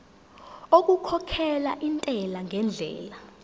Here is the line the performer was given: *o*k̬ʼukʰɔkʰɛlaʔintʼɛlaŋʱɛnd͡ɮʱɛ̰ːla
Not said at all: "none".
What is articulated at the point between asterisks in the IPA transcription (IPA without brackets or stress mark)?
o